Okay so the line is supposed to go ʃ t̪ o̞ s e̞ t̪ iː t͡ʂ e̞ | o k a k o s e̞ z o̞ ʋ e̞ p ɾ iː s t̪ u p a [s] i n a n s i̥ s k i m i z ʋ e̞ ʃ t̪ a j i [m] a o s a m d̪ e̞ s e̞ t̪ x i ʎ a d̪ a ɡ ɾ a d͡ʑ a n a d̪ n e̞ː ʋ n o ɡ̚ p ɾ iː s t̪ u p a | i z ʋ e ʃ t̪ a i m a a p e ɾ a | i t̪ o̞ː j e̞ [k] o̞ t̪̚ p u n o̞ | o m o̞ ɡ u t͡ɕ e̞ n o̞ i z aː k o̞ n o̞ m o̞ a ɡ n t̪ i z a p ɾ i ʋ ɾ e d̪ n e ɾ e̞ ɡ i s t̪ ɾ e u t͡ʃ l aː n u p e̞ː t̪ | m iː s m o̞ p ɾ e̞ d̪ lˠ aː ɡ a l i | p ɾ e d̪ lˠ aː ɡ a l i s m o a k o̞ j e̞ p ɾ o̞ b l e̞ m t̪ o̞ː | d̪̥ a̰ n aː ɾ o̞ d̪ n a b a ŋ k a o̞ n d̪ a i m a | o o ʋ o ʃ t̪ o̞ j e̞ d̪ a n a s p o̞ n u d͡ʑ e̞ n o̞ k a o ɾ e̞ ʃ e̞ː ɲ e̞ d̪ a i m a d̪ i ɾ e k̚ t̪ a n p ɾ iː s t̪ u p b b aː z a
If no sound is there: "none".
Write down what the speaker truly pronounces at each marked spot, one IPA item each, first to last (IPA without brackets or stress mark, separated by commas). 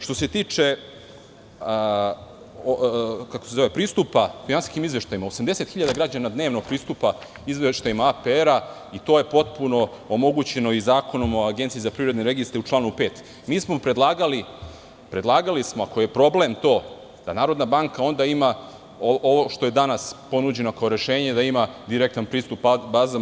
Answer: f, m, p